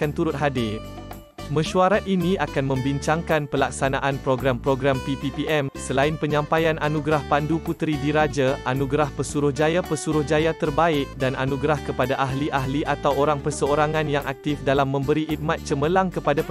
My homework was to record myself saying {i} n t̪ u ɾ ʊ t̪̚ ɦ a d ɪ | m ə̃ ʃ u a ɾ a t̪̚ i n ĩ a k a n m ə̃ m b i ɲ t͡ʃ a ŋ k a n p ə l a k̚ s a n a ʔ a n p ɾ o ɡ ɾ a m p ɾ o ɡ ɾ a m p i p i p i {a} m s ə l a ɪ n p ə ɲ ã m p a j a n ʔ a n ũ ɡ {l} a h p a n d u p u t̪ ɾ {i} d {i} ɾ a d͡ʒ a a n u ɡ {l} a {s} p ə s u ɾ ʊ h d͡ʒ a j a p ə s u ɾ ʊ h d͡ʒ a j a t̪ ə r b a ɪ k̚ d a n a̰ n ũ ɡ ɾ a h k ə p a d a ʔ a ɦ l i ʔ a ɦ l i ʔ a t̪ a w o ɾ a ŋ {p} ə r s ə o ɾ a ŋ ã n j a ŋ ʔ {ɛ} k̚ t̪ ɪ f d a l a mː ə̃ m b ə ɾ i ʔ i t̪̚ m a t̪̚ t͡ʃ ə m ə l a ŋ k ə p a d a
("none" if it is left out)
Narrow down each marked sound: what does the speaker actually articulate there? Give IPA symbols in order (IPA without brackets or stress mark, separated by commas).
a, ɛ, ɾ, i, i, ɾ, h, p, a